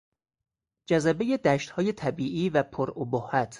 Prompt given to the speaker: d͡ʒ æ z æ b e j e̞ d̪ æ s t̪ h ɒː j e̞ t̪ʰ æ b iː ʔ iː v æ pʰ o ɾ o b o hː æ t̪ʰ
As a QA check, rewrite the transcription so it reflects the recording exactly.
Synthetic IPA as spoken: d͡ʒ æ z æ b e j e̞ d̪ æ ʃ t̪ h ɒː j e̞ t̪ʰ æ b iː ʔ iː v æ pʰ o ɾ o b o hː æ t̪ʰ